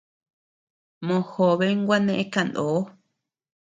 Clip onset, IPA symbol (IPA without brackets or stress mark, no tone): m